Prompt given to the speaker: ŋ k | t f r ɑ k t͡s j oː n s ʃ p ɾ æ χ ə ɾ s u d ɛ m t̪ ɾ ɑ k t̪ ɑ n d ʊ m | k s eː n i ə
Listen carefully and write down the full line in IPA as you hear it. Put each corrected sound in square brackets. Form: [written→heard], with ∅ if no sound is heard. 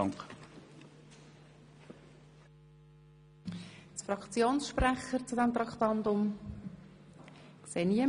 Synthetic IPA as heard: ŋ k | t f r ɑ k t͡s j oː n s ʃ p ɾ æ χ ə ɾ [s→t͡s] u d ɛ m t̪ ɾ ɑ k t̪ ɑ n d ʊ m | k s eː n i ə